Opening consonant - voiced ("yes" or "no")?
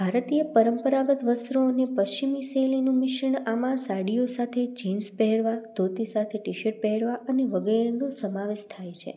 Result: yes